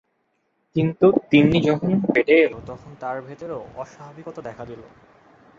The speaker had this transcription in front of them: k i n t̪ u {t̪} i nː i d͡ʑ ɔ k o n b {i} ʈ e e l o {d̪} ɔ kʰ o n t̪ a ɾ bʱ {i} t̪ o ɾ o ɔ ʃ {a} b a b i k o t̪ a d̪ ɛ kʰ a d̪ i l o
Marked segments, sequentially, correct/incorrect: correct, incorrect: e, incorrect: t̪, incorrect: e, correct

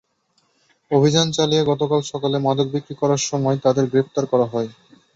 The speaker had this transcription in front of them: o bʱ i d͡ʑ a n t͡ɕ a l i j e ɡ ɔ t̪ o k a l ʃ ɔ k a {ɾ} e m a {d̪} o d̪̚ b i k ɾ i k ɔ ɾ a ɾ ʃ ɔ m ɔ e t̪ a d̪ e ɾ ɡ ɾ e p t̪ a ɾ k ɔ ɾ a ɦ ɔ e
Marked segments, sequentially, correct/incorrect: incorrect: l, correct

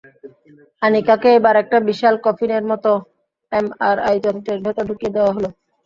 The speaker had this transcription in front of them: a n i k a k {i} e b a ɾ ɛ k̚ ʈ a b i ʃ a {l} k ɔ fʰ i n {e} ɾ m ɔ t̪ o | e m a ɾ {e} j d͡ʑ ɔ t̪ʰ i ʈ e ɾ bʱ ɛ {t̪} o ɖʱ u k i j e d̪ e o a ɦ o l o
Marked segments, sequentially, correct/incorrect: incorrect: e, correct, correct, incorrect: a, correct

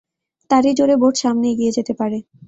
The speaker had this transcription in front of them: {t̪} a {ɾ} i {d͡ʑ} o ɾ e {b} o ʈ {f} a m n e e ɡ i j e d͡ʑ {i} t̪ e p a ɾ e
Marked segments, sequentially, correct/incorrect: correct, correct, correct, correct, incorrect: ʃ, incorrect: e

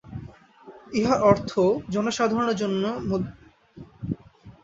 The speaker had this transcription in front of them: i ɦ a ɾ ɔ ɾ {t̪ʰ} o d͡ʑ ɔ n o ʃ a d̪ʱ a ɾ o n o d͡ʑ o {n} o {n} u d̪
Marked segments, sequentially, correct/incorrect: correct, incorrect: nː, incorrect: m

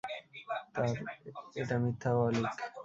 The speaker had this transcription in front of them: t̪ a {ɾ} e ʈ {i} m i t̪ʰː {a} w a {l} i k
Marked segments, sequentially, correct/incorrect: correct, incorrect: a, correct, correct

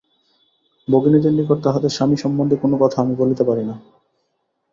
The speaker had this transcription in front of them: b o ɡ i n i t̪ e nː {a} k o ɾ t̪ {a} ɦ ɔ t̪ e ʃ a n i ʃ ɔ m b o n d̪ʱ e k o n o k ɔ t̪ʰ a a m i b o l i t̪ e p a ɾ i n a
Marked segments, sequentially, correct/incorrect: incorrect: i, correct

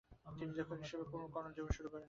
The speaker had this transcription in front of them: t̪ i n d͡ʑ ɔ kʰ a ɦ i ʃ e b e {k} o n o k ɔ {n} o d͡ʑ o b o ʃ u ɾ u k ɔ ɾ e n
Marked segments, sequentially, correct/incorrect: correct, correct

